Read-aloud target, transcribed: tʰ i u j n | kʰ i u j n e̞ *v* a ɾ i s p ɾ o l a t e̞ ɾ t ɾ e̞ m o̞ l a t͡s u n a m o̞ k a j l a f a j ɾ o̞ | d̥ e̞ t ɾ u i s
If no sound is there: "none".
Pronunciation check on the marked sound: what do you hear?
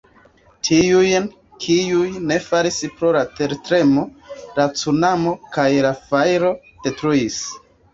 f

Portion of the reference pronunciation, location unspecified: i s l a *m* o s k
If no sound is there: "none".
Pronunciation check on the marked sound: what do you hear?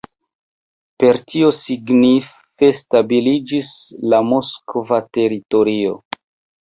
m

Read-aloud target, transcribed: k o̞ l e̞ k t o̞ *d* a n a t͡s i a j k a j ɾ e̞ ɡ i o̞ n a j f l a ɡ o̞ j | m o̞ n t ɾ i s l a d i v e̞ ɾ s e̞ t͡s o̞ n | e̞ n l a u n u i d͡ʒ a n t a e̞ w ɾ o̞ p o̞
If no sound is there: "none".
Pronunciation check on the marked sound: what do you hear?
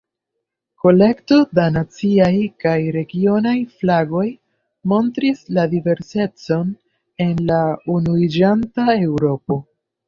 d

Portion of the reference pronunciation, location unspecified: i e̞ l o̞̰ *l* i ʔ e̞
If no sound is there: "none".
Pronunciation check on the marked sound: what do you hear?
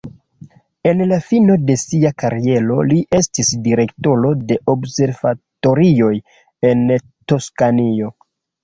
l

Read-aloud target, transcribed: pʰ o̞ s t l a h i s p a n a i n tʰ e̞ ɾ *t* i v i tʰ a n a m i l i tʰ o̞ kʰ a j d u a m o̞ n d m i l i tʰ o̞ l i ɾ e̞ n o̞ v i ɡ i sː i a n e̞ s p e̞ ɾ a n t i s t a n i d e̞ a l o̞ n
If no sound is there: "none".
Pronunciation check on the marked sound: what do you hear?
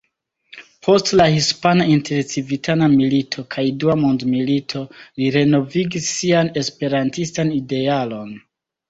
t͡s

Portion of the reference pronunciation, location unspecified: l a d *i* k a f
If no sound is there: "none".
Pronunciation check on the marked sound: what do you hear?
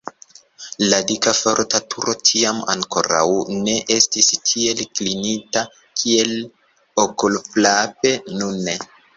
i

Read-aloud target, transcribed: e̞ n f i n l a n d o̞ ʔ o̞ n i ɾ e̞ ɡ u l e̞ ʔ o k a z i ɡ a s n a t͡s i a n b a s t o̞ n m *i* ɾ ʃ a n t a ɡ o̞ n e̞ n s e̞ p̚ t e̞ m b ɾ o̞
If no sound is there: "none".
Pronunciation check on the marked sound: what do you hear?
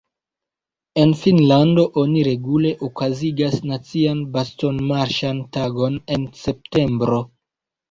a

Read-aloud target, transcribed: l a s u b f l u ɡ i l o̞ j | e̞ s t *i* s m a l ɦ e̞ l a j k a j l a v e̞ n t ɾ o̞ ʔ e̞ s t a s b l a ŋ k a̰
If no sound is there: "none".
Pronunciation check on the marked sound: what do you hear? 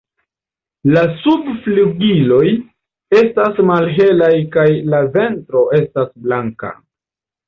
a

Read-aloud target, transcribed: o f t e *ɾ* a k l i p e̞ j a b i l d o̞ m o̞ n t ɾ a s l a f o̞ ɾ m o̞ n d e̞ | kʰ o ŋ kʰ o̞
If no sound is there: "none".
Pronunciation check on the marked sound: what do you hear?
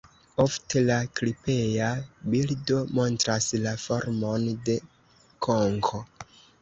l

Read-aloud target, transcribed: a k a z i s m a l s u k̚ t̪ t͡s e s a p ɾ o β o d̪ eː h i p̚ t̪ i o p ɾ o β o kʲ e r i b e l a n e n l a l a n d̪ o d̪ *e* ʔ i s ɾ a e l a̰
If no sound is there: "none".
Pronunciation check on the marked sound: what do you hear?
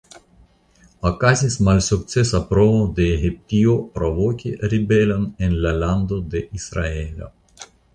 e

